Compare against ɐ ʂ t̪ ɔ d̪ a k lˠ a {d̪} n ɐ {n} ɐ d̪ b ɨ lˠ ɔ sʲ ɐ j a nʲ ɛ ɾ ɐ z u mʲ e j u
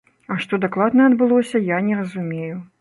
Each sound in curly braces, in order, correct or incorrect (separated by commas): correct, incorrect